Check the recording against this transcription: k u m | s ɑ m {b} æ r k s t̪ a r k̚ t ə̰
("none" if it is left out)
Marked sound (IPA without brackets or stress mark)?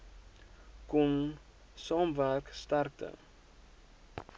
v